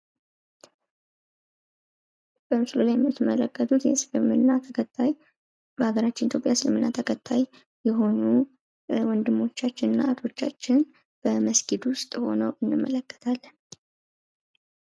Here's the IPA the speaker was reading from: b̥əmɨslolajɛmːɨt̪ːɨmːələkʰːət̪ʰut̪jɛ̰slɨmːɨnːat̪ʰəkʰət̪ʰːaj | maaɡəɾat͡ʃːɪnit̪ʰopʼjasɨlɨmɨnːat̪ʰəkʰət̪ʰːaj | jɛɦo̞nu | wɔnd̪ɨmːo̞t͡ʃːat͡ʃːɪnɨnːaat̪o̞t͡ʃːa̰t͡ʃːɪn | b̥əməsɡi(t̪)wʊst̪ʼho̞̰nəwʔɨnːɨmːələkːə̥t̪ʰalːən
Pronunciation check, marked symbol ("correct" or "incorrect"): incorrect